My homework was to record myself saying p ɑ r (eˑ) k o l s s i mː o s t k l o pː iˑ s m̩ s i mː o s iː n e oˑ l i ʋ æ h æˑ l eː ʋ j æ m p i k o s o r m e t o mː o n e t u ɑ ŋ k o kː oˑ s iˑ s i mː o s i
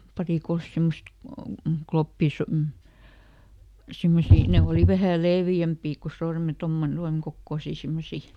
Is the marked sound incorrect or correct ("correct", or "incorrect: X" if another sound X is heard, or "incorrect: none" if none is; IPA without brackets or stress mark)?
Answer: incorrect: iˑ